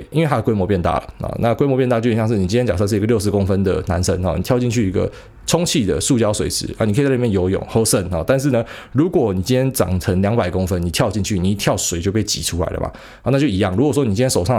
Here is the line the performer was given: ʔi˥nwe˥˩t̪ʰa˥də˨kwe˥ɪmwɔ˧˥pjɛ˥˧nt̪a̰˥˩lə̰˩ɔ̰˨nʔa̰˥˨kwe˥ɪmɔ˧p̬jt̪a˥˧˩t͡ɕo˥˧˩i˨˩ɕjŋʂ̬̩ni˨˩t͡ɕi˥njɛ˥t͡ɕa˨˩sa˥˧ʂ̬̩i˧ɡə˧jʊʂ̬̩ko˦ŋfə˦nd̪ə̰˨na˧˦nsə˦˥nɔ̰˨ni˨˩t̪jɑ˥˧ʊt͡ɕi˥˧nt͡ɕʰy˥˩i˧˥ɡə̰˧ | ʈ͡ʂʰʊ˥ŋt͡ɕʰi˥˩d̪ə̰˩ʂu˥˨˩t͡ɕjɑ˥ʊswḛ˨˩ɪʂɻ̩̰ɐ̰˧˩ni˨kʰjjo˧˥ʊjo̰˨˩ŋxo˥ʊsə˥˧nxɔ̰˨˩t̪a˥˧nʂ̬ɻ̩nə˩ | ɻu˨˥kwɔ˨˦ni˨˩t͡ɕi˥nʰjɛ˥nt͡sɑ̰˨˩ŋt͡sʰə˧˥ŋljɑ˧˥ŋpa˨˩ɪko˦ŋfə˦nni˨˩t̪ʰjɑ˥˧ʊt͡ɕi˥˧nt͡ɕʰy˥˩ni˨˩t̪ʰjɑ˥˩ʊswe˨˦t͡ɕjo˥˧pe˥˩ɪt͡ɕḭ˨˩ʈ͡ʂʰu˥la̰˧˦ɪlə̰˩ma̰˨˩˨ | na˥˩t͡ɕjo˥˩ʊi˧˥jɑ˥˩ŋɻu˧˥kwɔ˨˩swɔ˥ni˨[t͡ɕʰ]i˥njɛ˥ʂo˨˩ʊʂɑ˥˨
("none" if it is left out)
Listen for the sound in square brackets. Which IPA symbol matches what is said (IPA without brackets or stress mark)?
t͡ɕ